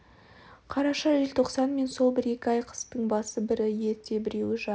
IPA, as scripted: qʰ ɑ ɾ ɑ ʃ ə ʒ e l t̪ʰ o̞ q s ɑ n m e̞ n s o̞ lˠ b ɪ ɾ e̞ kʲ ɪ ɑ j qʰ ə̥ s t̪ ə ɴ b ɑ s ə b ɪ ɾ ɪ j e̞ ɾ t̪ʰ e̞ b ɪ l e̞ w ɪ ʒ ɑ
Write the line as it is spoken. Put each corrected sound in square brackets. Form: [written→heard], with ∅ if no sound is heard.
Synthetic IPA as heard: qʰ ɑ ɾ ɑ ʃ [ə→ɑ] ʒ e l t̪ʰ o̞ q s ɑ n m e̞ n s o̞ lˠ b ɪ ɾ e̞ kʲ ɪ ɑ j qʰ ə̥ s t̪ ə ɴ b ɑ s ə b ɪ ɾ ɪ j e̞ ɾ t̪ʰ e̞ b ɪ [l→ɾ] e̞ w ɪ ʒ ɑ